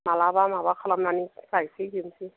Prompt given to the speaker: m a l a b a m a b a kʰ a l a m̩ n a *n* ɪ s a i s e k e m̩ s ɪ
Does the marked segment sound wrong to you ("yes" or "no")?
no